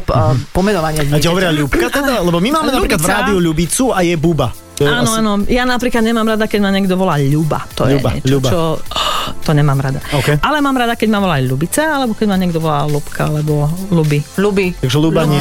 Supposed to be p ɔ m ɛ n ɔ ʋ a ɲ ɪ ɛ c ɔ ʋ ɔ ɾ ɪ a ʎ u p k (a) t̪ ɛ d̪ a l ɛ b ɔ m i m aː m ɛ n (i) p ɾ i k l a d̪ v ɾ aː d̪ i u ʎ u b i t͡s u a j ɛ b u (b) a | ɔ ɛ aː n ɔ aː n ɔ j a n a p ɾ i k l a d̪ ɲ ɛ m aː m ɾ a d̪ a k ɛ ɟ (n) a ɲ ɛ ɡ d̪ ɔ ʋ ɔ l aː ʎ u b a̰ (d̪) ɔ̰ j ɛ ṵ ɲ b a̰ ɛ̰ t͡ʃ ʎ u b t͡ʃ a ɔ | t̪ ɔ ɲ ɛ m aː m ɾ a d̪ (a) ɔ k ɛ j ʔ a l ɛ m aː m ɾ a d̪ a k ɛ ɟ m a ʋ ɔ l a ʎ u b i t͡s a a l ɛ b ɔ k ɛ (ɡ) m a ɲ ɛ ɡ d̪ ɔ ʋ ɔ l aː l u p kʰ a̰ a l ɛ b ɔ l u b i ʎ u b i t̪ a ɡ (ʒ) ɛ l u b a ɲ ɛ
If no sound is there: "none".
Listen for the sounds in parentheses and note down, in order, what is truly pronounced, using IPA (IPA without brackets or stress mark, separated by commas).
a, a, b, m, t̪, a, ɟ, ʒ